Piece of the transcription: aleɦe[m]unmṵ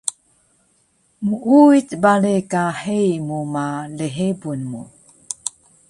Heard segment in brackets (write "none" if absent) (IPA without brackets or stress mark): b